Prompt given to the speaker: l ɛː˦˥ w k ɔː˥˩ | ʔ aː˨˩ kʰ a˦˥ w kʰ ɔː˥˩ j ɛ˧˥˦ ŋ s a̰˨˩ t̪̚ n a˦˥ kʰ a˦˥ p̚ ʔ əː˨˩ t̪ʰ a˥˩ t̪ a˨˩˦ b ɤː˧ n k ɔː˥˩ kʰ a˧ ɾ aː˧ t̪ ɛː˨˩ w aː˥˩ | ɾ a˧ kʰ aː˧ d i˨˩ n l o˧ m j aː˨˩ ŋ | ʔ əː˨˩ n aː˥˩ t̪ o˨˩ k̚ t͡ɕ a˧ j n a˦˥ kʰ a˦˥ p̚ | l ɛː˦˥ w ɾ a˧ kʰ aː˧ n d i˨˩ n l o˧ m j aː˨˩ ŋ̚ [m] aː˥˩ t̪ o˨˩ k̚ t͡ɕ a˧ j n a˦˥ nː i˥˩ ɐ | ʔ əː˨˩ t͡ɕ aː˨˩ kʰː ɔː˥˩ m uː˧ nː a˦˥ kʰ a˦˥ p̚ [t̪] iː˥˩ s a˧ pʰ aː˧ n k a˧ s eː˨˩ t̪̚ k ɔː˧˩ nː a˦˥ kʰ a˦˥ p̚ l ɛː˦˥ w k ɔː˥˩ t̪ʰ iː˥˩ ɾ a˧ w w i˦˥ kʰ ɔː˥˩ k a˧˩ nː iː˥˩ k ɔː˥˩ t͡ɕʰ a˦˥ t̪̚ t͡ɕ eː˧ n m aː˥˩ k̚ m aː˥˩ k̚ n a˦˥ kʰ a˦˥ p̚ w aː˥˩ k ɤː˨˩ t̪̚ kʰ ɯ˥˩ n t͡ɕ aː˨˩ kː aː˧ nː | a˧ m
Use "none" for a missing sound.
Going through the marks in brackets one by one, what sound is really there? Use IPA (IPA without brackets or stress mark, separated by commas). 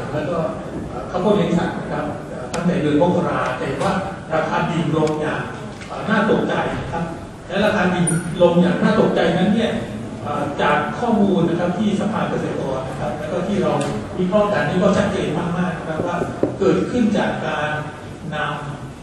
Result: n, t̪ʰ